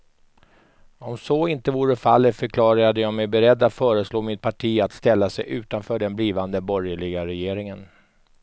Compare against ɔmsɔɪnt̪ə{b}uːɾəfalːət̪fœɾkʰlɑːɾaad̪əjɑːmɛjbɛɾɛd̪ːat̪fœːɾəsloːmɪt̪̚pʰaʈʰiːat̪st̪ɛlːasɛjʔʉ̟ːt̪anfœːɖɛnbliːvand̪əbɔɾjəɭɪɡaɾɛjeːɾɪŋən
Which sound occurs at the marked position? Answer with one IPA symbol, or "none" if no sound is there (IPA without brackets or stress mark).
v